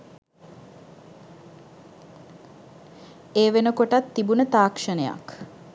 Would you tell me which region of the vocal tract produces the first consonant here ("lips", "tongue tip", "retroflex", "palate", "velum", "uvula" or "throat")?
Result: lips